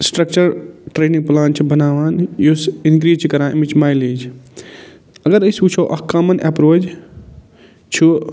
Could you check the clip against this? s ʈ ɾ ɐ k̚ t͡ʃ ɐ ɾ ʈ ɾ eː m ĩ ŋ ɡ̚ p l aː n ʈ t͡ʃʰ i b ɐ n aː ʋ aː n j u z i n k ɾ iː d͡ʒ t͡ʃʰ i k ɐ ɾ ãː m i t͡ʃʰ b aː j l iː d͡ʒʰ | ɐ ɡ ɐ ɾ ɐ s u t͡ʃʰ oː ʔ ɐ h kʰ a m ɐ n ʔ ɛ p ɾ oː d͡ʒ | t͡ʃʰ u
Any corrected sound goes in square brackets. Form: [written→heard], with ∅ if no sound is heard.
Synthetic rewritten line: s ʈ ɾ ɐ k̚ t͡ʃ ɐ ɾ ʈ ɾ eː [m→n] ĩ ŋ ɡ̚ p l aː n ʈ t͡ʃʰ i b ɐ n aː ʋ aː n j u [z→s] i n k ɾ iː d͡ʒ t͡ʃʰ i k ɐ ɾ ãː m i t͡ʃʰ [b→m] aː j l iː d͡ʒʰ | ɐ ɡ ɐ ɾ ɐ s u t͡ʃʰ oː ʔ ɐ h [kʰ→k] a m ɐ n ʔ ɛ p ɾ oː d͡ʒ | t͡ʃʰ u